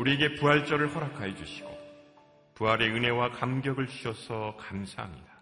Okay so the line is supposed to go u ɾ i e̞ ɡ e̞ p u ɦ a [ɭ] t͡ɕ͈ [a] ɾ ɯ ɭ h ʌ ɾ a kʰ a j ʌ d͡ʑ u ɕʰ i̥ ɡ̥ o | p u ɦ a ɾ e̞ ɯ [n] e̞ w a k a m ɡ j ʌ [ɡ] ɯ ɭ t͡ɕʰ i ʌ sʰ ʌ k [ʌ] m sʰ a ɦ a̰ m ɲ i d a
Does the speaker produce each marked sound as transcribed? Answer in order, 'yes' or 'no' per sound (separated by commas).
yes, no, yes, yes, no